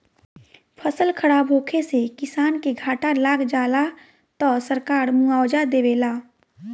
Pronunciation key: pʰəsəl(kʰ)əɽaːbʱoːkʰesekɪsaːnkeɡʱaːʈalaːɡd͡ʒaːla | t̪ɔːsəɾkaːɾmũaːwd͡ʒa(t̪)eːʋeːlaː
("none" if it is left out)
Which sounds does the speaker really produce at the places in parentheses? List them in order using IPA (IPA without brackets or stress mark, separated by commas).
kʰ, d̪